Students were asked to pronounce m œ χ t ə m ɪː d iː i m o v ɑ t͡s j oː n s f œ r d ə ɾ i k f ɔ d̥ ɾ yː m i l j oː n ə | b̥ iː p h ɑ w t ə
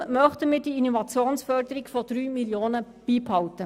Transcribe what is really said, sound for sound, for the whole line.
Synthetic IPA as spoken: m œ χ t ə m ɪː d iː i n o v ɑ t͡s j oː n s f œ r d ə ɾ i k f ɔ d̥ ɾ yː m i l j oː n ə | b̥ iː p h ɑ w t ə